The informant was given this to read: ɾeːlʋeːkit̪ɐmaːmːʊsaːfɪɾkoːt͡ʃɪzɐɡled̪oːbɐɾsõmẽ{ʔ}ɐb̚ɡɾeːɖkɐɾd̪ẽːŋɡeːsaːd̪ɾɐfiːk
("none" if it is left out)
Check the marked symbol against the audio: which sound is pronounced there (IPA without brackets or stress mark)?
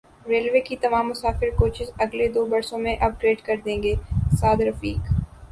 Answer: ʔ